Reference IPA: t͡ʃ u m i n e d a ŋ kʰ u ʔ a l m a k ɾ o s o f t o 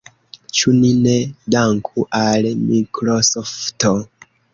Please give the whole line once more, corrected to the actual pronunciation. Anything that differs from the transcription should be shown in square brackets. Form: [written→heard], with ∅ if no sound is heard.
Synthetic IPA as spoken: t͡ʃ u [m→n] i n e d a ŋ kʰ u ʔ a l m [a→i] k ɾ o s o f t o